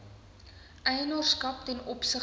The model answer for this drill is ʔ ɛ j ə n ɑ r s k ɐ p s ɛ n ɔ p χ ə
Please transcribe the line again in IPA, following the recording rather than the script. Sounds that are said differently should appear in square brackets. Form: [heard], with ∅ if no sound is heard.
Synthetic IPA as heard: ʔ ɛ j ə n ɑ r s k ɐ p [t] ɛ n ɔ p [s] ə